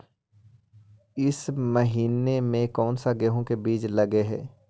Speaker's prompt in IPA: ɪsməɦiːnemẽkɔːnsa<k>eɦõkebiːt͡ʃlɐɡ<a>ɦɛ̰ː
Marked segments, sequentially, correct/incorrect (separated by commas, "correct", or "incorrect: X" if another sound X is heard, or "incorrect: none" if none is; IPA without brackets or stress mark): incorrect: ɡ, incorrect: e